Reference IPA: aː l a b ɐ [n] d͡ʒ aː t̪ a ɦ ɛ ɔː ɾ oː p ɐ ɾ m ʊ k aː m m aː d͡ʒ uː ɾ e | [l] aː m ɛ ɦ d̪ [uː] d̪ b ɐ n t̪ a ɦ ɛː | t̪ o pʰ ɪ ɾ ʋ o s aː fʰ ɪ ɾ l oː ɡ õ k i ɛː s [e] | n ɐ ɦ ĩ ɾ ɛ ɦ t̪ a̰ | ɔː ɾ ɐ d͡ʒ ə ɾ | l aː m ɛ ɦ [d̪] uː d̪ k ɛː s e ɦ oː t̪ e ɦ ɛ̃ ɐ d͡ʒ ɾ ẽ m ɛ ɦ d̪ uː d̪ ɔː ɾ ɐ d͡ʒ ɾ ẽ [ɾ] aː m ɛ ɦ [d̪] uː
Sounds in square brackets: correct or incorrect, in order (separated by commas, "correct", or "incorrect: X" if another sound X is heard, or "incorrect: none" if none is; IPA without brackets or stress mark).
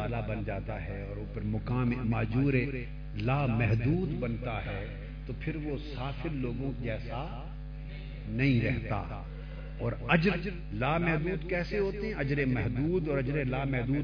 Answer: correct, correct, correct, incorrect: a, correct, incorrect: l, correct